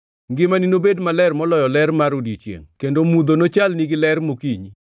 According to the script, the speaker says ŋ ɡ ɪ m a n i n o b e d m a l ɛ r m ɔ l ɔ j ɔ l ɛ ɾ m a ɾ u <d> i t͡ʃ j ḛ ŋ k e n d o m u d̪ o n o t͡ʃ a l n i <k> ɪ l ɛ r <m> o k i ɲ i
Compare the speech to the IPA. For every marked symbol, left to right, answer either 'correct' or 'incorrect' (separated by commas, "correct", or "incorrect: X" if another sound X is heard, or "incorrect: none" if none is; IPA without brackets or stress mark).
correct, incorrect: ɡ, correct